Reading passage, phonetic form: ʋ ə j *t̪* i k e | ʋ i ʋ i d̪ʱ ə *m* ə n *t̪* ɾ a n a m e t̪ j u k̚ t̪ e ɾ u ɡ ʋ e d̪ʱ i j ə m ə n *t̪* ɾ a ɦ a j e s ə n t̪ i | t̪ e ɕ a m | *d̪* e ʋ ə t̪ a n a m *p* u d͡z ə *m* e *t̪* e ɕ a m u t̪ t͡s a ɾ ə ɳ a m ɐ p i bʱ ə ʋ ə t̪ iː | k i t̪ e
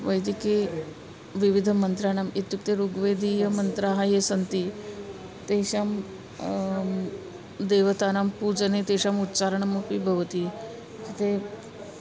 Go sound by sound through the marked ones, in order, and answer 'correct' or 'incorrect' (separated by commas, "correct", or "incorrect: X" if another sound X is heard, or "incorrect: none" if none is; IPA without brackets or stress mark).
incorrect: d̪, correct, correct, correct, correct, correct, incorrect: n, correct